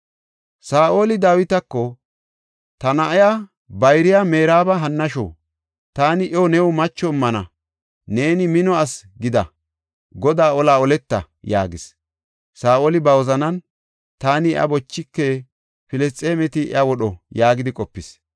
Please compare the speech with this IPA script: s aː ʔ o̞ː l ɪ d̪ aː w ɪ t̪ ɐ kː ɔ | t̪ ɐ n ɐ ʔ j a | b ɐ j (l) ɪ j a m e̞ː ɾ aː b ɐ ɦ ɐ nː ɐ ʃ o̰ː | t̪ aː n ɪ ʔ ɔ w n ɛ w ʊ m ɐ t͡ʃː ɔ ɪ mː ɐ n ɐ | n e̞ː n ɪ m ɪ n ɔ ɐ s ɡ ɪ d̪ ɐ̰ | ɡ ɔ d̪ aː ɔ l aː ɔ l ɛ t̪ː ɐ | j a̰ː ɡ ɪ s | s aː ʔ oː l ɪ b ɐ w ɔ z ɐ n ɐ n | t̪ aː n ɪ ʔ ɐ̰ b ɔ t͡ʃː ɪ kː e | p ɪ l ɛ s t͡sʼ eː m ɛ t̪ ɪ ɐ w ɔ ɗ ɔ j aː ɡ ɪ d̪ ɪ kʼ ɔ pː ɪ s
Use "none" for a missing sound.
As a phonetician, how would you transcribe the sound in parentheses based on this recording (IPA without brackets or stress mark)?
ɾ